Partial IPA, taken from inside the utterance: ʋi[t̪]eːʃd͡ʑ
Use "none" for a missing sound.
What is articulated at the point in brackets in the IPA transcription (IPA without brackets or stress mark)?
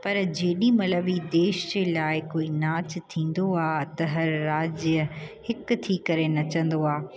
d̪